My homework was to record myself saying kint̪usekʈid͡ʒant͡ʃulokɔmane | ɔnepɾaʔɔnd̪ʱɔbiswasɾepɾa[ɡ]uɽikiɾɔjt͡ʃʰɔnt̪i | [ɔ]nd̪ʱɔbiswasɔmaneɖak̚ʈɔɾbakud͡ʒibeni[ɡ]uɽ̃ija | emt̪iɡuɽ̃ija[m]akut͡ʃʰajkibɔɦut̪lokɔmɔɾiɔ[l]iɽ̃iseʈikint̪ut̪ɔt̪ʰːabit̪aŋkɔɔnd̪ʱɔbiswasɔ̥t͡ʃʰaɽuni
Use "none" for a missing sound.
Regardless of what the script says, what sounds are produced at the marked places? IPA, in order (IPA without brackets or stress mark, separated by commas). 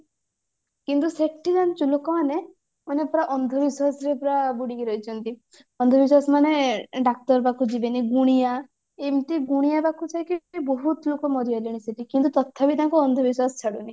b, ɔ, ɡ, b, l